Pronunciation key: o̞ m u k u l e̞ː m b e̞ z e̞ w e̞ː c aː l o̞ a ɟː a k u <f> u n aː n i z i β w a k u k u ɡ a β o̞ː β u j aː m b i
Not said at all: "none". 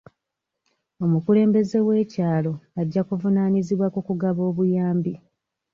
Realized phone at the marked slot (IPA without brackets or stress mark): v